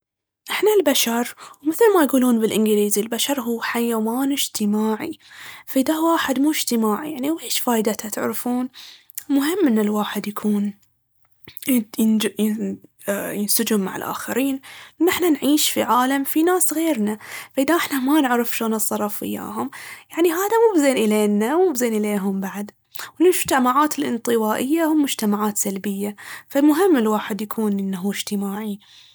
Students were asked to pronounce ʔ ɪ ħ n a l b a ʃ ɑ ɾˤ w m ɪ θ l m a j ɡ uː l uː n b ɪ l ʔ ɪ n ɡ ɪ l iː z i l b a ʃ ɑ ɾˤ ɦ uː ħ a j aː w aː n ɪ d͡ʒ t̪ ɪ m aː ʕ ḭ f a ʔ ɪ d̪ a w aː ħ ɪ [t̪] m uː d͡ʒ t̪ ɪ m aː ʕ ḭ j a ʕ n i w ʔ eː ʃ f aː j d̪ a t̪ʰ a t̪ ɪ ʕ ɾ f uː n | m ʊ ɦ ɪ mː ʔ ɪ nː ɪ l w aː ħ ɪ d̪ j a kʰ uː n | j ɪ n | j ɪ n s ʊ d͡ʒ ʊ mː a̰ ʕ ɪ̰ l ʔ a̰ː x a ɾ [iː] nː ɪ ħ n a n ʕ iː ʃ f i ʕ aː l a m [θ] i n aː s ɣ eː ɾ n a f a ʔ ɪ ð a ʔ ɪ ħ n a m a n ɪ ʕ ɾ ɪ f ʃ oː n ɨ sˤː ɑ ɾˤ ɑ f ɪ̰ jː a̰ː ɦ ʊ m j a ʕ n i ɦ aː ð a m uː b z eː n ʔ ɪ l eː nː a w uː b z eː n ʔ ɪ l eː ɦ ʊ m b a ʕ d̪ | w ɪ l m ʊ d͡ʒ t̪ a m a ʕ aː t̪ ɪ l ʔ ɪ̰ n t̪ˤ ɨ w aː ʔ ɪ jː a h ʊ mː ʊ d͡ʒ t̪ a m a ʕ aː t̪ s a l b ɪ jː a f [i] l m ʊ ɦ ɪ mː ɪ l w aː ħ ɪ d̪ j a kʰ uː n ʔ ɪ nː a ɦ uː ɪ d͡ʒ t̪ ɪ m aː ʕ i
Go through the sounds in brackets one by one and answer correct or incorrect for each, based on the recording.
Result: incorrect, correct, incorrect, incorrect

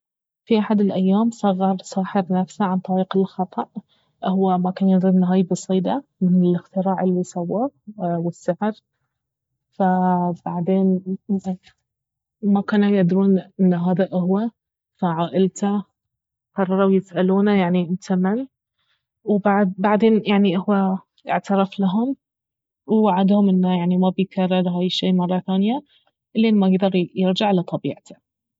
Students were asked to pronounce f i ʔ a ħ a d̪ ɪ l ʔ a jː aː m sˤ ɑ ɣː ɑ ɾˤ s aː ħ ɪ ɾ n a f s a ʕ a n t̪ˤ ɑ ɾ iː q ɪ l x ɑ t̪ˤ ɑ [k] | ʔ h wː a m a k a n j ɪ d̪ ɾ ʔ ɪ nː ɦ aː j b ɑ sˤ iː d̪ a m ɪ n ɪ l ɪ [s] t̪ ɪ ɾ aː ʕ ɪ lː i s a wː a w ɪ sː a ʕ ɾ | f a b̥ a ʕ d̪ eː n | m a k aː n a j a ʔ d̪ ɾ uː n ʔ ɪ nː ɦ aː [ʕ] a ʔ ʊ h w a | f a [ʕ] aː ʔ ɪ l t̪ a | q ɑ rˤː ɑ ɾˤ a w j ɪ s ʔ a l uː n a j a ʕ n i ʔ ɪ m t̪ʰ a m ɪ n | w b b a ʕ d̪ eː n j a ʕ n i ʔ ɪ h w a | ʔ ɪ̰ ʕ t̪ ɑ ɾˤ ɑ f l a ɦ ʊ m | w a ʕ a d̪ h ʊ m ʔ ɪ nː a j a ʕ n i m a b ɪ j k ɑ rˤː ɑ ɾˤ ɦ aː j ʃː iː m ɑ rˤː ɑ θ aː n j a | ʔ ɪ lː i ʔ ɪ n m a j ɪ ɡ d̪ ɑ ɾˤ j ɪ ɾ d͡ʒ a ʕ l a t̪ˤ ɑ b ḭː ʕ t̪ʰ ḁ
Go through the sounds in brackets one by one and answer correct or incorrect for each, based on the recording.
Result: incorrect, incorrect, incorrect, correct

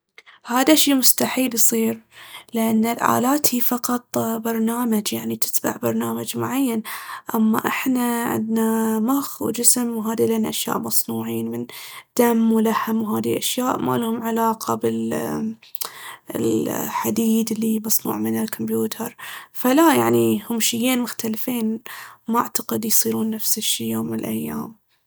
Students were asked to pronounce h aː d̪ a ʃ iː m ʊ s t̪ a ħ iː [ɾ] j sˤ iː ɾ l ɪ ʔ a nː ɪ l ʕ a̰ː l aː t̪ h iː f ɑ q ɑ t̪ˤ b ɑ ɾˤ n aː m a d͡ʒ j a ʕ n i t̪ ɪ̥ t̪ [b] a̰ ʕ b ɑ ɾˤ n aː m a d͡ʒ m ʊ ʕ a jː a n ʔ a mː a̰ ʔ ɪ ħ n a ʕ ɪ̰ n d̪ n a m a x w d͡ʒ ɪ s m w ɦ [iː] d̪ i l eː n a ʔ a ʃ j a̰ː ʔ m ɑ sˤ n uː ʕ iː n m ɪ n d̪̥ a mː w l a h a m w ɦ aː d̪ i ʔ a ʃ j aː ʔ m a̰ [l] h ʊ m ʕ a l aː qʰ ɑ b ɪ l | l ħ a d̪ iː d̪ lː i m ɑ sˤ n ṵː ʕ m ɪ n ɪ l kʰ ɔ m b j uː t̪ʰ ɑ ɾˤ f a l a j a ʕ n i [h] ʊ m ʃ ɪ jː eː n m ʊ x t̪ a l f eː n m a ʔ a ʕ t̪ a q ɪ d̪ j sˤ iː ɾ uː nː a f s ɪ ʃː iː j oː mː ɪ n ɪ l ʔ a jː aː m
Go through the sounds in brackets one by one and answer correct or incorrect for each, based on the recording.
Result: incorrect, correct, incorrect, correct, correct

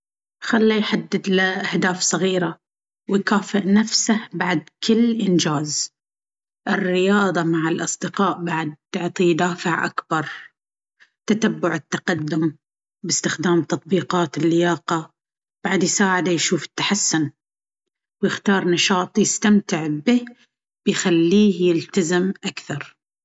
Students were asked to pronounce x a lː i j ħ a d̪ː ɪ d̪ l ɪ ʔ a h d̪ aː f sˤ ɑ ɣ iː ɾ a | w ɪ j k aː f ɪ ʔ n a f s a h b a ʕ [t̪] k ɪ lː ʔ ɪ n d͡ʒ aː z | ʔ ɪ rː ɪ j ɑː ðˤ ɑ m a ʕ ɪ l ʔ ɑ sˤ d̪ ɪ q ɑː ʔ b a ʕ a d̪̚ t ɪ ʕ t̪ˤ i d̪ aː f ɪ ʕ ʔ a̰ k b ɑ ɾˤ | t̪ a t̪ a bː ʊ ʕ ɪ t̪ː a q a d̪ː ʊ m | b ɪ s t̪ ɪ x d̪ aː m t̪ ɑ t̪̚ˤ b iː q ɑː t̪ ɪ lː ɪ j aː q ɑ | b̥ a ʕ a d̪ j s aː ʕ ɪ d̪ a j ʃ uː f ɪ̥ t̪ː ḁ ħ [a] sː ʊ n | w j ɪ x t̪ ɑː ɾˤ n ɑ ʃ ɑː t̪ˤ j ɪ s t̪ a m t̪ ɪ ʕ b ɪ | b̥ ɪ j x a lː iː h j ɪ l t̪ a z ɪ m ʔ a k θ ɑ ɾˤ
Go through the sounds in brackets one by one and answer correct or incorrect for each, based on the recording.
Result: incorrect, correct

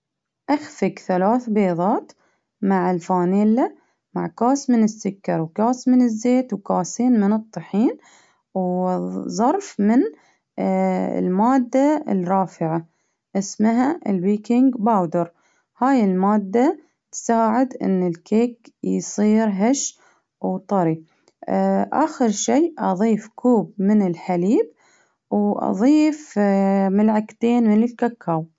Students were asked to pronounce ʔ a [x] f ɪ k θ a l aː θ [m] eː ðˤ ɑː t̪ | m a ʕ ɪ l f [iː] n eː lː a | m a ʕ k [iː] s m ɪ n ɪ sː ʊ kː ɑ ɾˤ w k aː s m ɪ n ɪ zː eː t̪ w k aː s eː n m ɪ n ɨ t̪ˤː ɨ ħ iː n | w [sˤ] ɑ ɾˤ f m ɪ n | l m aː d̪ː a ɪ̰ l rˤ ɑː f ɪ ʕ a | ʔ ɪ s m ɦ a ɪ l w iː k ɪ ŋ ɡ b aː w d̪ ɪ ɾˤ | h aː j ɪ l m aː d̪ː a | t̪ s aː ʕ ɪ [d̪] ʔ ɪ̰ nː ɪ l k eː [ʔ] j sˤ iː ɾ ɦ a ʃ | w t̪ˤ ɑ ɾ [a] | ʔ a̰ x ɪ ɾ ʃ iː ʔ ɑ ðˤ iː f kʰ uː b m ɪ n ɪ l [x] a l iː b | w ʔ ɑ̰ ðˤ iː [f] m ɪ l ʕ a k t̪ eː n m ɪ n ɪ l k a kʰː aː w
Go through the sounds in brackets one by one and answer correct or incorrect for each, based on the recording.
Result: correct, incorrect, incorrect, incorrect, incorrect, correct, incorrect, incorrect, incorrect, correct

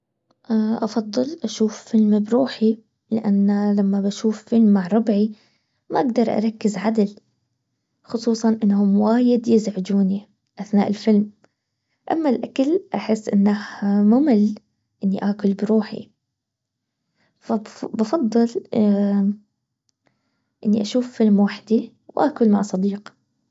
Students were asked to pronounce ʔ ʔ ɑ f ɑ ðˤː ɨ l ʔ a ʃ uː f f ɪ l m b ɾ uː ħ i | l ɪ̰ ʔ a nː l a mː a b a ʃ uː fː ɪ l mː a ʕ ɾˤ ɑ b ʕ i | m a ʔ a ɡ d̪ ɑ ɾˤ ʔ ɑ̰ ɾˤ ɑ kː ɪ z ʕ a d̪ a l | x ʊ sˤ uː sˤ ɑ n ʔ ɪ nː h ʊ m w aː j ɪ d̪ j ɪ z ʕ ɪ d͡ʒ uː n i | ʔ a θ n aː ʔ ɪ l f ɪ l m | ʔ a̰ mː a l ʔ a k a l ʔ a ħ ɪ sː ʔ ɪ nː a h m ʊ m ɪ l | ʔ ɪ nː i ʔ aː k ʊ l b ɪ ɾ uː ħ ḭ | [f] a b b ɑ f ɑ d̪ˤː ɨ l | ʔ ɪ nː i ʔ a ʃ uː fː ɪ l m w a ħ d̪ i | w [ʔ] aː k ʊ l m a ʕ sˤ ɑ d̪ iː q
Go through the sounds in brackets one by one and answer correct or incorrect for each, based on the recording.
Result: correct, correct

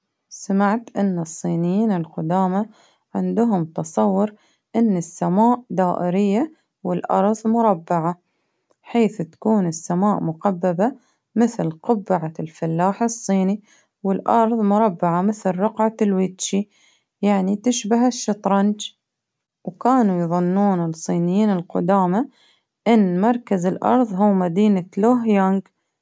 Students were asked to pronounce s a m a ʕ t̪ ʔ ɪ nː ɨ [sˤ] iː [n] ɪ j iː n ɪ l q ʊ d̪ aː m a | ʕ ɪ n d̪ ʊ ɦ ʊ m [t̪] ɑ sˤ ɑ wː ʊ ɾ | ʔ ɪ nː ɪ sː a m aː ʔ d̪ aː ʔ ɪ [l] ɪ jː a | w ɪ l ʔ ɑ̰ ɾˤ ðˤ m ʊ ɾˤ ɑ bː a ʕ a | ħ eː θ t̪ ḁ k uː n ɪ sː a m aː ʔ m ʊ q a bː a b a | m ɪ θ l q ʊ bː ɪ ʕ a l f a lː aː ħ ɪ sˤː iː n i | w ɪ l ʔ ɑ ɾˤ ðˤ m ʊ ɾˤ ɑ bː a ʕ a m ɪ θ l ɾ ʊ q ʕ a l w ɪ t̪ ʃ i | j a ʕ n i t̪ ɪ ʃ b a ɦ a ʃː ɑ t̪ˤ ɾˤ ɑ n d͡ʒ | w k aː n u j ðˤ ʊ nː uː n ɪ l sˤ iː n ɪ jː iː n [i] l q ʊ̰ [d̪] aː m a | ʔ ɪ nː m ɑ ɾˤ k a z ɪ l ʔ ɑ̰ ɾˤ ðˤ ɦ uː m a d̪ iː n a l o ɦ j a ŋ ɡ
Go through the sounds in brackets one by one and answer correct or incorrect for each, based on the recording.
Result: incorrect, correct, correct, incorrect, incorrect, correct

